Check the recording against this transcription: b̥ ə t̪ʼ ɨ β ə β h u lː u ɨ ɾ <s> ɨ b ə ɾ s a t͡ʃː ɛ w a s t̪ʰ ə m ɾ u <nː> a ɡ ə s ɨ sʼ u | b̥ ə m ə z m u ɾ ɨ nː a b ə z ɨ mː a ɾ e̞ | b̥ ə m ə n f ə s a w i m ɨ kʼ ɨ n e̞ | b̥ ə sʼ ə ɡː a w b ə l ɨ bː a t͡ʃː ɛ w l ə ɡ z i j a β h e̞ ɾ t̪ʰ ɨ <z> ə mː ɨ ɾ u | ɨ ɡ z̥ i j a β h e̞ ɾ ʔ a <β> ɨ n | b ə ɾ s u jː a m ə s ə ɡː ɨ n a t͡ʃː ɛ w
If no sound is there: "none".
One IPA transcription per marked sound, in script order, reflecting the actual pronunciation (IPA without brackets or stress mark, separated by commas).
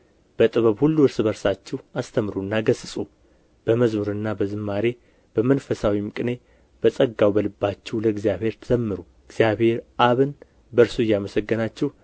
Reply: s, nː, z, β